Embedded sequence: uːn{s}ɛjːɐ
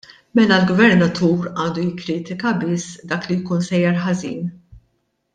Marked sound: correct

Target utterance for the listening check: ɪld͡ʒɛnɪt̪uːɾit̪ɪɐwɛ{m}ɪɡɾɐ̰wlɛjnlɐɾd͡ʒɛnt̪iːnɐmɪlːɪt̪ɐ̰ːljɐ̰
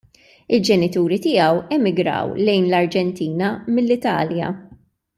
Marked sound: correct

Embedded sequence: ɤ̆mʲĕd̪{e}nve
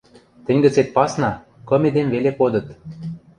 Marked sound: correct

